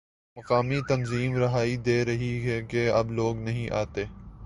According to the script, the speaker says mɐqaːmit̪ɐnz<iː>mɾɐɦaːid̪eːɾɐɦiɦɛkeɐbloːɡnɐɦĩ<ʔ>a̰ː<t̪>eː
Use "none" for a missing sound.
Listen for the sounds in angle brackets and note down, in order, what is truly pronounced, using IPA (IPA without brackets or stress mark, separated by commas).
iː, ʔ, t̪